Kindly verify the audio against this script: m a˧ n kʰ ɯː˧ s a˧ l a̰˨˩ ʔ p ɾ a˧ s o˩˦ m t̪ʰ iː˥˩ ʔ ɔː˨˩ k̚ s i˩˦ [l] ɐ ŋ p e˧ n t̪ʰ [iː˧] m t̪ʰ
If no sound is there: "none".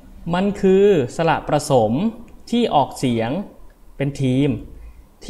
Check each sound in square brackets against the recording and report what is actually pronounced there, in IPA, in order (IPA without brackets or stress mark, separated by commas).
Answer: none, iː˧